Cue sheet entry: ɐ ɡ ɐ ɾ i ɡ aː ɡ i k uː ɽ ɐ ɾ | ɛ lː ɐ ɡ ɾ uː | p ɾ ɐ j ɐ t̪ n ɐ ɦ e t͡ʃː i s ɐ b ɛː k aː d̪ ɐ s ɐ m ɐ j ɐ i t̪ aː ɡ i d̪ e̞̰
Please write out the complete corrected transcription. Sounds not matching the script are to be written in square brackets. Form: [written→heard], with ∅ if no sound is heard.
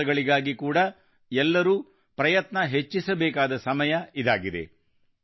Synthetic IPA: ɐ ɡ ɐ [ɾ→ɭ] i ɡ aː ɡ i k uː ɽ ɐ [ɾ→∅] | ɛ lː ɐ [ɡ→∅] ɾ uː | p ɾ ɐ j ɐ t̪ n ɐ ɦ e t͡ʃː i s ɐ b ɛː k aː d̪ ɐ s ɐ m ɐ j ɐ i [t̪→d̪] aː ɡ i d̪ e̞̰